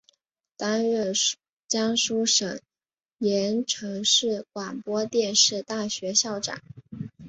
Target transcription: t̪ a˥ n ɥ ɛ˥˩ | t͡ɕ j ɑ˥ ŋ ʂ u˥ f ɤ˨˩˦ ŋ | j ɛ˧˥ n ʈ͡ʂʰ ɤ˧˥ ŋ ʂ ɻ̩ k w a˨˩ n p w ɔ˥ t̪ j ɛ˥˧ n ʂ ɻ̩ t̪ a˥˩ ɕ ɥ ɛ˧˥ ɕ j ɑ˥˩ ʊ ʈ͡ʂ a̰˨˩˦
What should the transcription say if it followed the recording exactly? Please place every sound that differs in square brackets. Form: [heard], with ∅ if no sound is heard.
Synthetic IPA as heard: t̪ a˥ n ɥ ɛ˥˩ | t͡ɕ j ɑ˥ ŋ ʂ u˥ [ʂ] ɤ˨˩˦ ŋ | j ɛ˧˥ n ʈ͡ʂʰ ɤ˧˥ ŋ ʂ ɻ̩ k w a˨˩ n p w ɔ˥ t̪ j ɛ˥˧ n ʂ ɻ̩ t̪ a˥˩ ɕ ɥ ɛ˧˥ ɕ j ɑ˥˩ ʊ ʈ͡ʂ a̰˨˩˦